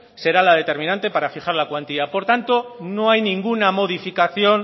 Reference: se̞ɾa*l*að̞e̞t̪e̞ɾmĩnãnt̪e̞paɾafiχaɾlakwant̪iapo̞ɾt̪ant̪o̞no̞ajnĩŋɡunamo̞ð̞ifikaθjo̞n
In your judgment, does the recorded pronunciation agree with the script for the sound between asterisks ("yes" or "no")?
yes